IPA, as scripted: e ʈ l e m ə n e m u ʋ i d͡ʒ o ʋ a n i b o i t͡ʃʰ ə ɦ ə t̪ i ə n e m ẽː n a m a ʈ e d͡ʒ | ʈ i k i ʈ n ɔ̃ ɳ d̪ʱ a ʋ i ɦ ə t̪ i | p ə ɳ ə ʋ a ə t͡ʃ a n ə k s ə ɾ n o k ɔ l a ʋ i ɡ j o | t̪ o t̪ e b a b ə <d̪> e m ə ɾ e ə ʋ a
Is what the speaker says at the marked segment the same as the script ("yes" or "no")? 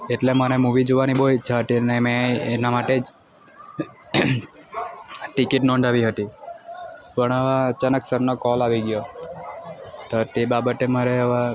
no